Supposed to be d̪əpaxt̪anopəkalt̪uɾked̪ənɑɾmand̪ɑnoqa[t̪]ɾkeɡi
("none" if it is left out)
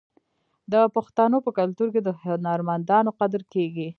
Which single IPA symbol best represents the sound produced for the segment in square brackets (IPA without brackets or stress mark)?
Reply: d̪